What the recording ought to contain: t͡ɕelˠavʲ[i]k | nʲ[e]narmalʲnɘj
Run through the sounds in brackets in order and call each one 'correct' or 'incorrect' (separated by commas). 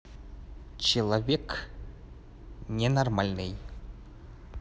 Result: incorrect, correct